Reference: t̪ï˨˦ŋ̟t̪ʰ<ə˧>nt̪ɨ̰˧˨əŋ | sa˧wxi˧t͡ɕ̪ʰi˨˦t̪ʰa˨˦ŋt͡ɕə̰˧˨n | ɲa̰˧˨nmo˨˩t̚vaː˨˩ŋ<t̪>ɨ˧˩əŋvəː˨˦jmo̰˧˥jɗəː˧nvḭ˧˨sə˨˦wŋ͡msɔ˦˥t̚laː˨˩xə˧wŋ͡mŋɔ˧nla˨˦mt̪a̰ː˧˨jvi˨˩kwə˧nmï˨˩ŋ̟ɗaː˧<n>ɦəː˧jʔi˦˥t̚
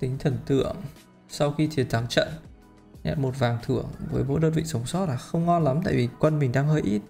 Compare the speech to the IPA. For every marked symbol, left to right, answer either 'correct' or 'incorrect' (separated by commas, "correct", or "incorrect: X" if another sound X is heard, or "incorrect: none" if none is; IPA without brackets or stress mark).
incorrect: ə˨˩, incorrect: t̪ʰ, incorrect: ŋ